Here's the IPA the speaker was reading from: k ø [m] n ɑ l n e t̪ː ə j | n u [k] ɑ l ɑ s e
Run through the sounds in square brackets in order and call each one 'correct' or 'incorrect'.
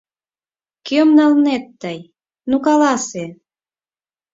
correct, correct

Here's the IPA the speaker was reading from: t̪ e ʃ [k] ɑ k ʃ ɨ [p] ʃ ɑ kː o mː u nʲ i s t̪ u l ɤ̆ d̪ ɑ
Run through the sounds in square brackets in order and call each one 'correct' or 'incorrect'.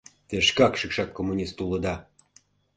correct, incorrect: k

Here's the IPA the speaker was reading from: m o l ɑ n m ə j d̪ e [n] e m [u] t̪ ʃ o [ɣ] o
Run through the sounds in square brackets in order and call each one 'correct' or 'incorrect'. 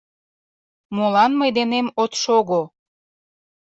correct, incorrect: o, correct

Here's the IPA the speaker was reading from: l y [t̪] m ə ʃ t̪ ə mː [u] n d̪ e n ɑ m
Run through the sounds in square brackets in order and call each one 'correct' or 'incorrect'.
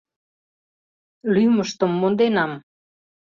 incorrect: none, incorrect: o

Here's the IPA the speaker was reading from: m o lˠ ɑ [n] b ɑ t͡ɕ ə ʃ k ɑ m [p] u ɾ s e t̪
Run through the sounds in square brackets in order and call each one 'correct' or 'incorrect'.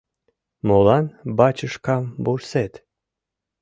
correct, incorrect: b

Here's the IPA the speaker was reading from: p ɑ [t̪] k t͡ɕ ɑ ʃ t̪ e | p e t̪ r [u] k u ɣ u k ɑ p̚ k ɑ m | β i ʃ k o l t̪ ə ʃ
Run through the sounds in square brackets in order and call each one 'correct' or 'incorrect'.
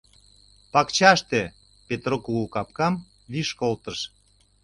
incorrect: none, incorrect: o

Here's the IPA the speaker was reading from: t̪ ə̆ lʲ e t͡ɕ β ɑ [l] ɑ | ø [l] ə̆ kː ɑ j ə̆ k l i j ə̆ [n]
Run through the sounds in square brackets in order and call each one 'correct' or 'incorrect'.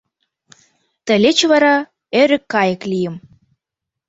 incorrect: ɾ, incorrect: ɾ, incorrect: m

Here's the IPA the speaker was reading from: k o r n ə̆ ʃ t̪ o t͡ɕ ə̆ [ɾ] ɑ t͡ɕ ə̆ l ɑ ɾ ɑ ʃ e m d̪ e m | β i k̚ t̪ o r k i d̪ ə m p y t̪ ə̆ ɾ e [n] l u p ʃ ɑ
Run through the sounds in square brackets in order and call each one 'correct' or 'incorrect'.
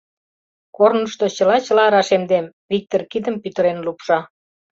incorrect: l, correct

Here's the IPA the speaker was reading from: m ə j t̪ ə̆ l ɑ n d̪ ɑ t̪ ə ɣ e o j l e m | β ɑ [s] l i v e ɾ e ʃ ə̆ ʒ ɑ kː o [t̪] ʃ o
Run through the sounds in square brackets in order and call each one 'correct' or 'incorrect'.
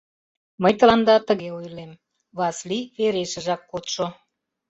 correct, correct

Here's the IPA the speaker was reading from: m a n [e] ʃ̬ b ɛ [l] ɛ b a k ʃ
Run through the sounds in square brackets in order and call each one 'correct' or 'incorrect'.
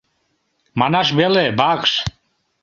incorrect: a, correct

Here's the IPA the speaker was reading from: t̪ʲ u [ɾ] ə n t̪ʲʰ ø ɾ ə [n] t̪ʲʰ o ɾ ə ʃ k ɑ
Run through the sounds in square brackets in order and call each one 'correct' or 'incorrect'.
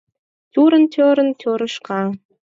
correct, correct

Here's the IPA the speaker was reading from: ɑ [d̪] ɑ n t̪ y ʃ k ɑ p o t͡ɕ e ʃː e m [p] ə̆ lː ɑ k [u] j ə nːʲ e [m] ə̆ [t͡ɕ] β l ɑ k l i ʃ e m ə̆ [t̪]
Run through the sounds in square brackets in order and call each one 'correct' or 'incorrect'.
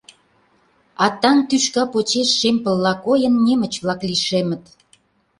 incorrect: t̪, correct, incorrect: o, correct, correct, correct

